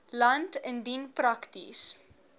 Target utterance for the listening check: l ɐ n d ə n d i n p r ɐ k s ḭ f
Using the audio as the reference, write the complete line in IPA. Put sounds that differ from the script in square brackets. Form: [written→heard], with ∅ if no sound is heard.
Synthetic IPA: l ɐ n [d→t] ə n d i n p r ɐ k [s→t] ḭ [f→s]